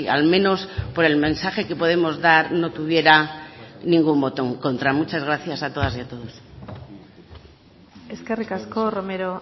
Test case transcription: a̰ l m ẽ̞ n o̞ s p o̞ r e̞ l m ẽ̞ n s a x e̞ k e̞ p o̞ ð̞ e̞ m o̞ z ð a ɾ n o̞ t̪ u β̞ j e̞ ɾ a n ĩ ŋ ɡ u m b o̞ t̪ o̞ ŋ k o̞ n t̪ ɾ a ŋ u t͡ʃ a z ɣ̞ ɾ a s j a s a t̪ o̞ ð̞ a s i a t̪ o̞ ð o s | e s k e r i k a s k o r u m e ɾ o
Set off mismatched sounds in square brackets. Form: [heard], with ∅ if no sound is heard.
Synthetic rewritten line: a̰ l m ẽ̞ n o̞ s p o̞ [ɾ] e̞ l m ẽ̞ n s a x e̞ k e̞ p o̞ ð̞ e̞ m o̞ z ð a ɾ n o̞ t̪ u β̞ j e̞ ɾ a n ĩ ŋ ɡ u m b o̞ t̪ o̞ ŋ k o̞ n t̪ ɾ a [m] u t͡ʃ a z ɣ̞ ɾ a [θ] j a s a t̪ o̞ ð̞ a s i a t̪ o̞ ð o s | e s k e r i k a s k o r [o] m e ɾ o